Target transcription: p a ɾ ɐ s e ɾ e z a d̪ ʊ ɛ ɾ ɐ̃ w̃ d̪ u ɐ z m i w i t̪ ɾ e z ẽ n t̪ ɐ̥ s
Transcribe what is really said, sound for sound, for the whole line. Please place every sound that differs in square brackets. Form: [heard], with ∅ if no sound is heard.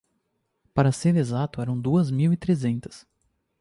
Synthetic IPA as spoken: p a ɾ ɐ s e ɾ e z a [t̪] ʊ ɛ ɾ ɐ̃ w̃ d̪ u ɐ z m i w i t̪ ɾ e z ẽ n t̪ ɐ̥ s